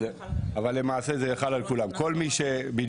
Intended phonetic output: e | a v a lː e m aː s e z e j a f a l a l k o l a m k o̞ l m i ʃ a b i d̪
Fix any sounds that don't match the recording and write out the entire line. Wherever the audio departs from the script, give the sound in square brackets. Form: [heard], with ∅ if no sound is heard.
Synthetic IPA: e | a v a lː e m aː s e z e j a [χ] a l a l k [u] l a m k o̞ l m i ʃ [e] b i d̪